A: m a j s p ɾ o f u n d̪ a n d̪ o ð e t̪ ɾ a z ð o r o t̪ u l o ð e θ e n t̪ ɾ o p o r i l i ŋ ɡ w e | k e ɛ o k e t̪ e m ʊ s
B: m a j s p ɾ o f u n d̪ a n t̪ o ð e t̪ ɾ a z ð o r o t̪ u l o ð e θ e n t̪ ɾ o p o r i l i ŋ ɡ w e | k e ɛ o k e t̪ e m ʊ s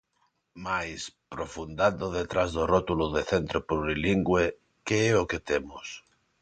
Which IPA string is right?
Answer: A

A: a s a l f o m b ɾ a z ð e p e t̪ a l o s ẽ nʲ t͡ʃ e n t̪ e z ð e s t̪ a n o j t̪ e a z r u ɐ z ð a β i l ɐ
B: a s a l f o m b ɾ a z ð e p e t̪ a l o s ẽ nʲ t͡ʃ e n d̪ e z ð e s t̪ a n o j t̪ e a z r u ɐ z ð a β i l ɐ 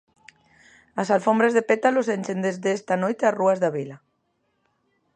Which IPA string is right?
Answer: B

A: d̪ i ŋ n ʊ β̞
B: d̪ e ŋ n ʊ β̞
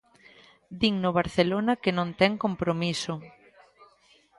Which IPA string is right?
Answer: A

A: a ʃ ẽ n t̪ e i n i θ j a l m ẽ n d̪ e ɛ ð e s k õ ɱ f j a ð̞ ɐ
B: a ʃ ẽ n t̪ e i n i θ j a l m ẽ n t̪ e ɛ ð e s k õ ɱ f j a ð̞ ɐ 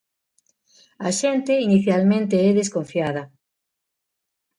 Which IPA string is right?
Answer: B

